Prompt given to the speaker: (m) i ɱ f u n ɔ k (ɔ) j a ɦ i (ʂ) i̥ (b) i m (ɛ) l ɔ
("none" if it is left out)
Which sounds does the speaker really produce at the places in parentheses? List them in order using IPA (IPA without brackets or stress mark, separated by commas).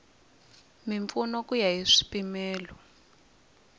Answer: m, u, ʂ, p, ɛː